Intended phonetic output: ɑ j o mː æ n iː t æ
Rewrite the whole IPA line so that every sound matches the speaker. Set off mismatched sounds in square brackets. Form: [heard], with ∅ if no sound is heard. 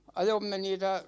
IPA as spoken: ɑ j o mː [e] n iː t æ